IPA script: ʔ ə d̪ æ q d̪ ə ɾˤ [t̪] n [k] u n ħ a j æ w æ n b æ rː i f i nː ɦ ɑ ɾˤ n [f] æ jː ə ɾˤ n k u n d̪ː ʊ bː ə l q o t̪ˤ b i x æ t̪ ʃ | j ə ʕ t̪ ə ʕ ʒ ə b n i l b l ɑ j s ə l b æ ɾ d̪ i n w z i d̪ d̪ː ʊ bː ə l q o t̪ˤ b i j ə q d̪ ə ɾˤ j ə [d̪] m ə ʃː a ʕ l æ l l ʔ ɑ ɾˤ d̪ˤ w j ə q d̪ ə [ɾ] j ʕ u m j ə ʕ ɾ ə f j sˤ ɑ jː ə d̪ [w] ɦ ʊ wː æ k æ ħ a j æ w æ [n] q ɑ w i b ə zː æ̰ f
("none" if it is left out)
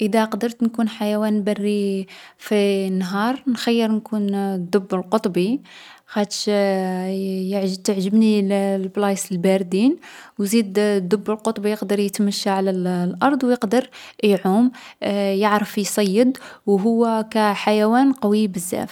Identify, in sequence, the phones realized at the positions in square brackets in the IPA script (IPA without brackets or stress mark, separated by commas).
t̪, k, x, t̪, ɾ, w, n